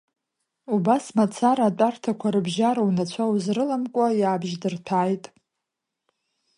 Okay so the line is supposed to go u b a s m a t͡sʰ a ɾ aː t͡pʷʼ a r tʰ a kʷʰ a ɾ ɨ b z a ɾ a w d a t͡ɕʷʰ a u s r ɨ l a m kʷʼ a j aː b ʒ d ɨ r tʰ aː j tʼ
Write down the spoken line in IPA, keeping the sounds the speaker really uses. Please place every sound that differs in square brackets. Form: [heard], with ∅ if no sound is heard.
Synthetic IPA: u b a s m a t͡sʰ a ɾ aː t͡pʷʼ a r tʰ a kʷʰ a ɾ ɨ b [ʒ] a ɾ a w [n] a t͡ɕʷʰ a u [z] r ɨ l a m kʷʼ a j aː b ʒ d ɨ r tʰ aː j tʼ

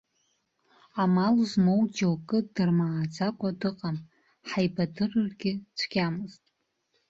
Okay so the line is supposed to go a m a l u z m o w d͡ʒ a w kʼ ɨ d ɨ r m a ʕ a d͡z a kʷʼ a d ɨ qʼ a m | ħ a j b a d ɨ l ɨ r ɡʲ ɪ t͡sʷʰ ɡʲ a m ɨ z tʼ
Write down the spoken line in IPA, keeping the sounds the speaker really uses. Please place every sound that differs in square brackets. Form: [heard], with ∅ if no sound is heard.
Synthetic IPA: a m a l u z m o w d͡ʒ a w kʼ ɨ d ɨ r m a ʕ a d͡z a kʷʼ a d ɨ qʼ a m | ħ a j b a d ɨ [r] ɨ r ɡʲ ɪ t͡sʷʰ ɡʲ a m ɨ z tʼ

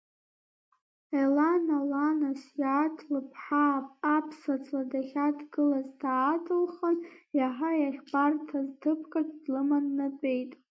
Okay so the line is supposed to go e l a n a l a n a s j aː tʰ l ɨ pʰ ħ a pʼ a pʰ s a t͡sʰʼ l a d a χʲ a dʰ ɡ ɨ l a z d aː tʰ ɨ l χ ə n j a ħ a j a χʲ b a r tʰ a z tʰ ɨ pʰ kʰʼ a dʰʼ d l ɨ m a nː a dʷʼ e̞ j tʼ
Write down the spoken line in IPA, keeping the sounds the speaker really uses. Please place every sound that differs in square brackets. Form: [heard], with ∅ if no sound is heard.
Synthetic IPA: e l a n a l a n a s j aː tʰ l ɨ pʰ ħ a pʼ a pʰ s a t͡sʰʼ l a d a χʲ a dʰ ɡ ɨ l a z d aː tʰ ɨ l χ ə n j a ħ a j a χʲ b a r tʰ a z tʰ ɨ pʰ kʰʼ a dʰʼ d l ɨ m a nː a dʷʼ e̞ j tʼ

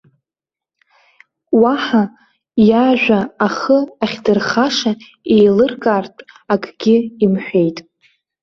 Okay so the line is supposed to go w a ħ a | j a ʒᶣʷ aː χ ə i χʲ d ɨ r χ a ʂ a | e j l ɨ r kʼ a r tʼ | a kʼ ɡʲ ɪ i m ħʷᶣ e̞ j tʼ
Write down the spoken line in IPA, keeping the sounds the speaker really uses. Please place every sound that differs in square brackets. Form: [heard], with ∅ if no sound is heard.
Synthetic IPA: w a ħ a | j a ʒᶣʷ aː χ ə [a] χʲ d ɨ r χ a ʂ a | e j l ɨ r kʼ a r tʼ | a kʼ ɡʲ ɪ i m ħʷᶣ e̞ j tʼ

